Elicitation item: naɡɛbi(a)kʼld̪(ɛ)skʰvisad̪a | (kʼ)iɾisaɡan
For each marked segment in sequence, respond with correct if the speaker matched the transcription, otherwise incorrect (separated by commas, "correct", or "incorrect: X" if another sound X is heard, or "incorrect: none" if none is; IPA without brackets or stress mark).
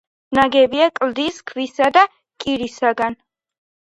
correct, incorrect: i, correct